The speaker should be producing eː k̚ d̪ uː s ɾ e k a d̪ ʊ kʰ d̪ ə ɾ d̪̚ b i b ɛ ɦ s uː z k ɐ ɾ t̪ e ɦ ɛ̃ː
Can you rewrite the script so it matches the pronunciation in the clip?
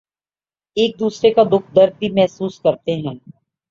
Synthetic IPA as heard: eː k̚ d̪ uː s ɾ e k a d̪ ʊ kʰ d̪ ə ɾ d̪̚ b i m ɛ ɦ s uː s k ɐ ɾ t̪ e ɦ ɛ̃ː